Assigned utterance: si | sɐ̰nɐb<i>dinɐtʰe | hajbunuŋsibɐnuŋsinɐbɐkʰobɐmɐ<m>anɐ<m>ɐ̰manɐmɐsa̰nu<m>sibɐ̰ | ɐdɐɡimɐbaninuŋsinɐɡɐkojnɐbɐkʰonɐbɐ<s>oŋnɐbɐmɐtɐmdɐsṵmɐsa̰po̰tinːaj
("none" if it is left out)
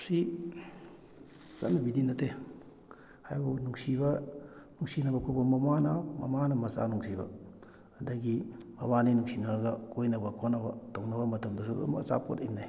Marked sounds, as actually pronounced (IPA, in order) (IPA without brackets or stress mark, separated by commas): i, m, m, ŋ, t